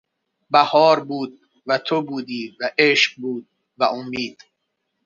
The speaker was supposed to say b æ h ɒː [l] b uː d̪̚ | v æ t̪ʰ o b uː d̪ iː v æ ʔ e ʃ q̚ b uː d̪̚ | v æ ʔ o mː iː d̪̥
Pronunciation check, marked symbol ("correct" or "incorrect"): incorrect